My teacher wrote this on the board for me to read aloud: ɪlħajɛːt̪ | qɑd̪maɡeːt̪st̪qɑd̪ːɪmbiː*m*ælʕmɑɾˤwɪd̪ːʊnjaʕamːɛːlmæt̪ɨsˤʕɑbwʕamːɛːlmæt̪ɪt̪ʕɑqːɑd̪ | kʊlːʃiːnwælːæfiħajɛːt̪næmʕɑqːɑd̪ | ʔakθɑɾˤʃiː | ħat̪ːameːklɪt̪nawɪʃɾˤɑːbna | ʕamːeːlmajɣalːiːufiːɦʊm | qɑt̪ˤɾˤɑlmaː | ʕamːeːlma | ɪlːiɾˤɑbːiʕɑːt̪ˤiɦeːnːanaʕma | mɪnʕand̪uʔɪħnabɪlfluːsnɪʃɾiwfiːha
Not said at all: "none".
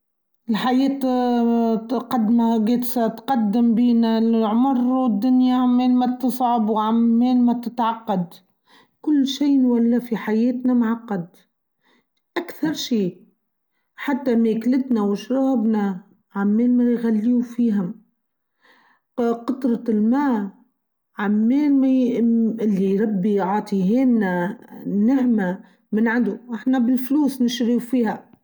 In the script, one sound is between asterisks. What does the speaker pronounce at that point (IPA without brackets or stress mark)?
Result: n